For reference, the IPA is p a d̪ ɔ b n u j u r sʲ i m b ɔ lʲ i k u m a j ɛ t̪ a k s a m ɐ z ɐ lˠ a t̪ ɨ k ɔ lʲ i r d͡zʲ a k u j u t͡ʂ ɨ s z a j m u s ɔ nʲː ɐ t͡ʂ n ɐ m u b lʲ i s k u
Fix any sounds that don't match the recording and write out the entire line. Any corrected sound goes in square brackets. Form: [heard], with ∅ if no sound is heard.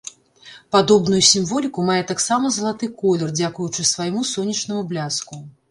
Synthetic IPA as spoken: p a d̪ ɔ b n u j u [∅] sʲ i m [v] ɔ lʲ i k u m a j ɛ t̪ a k s a m ɐ z ɐ lˠ a t̪ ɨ k ɔ lʲ [ɛ] r d͡zʲ a k u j u t͡ʂ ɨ s [v] a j m u s ɔ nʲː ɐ t͡ʂ n ɐ m u b lʲ [a] s k u